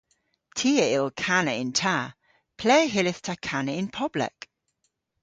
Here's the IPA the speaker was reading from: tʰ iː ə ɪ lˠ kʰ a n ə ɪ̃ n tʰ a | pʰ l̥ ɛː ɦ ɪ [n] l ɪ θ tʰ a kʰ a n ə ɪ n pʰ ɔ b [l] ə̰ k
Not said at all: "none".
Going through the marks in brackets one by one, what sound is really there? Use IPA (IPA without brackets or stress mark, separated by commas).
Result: none, l